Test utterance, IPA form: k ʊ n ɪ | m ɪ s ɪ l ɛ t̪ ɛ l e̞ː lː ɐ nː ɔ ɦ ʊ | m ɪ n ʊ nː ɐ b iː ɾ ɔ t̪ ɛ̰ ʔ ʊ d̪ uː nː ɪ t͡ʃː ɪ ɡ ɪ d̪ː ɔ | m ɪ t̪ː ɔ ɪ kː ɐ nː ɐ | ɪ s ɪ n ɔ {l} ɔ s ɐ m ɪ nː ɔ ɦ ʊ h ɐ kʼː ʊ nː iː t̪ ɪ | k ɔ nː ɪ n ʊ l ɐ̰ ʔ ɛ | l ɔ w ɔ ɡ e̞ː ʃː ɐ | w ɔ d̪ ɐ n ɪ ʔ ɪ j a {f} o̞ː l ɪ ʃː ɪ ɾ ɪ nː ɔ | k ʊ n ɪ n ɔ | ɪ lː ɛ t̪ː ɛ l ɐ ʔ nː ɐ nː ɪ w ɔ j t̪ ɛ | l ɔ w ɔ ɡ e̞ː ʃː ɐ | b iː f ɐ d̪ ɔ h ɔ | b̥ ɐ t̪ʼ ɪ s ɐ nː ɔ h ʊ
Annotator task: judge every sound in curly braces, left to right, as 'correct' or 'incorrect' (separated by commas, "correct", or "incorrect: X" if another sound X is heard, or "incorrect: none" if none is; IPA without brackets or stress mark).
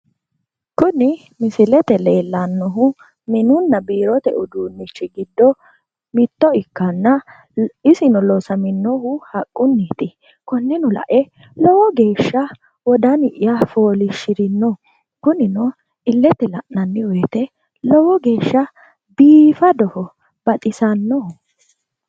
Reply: correct, correct